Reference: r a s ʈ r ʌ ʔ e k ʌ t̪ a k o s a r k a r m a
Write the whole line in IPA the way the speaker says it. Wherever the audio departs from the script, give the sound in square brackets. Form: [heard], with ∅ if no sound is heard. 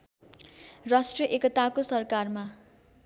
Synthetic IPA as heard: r a s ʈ r ʌ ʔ e k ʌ t̪ a k o s [ʌ] r k a r m a